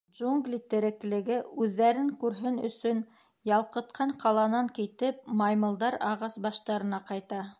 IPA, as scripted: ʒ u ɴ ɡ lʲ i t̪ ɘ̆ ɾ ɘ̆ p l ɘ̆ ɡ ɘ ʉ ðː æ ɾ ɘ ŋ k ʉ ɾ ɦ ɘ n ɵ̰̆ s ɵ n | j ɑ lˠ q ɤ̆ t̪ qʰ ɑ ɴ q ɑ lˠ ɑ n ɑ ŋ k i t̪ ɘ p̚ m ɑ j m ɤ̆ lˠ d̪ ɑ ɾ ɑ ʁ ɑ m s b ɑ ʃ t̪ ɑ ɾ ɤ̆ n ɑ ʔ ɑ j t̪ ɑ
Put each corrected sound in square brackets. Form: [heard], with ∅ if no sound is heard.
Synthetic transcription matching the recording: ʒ u [ŋ] ɡ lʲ i t̪ ɘ̆ ɾ ɘ̆ [k] l ɘ̆ ɡ ɘ ʉ ðː æ ɾ ɘ ŋ k ʉ ɾ ɦ ɘ n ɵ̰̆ s ɵ n | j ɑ lˠ q ɤ̆ t̪ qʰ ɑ ɴ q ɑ lˠ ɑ n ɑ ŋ k i t̪ ɘ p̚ m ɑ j m ɤ̆ lˠ d̪ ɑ ɾ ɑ ʁ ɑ [∅] s b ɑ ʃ t̪ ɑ ɾ ɤ̆ n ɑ [q] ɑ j t̪ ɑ